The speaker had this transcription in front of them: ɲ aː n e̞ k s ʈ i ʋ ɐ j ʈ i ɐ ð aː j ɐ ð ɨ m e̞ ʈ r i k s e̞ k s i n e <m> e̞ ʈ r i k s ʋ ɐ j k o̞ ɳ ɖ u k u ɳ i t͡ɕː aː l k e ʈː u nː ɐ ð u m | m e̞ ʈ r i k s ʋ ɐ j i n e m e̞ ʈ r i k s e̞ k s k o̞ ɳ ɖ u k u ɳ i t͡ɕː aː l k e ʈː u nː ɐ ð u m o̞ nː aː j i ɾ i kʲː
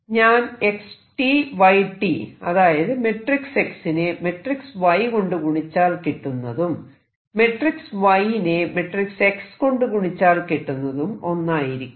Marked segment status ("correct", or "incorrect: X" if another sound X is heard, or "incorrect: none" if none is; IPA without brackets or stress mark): correct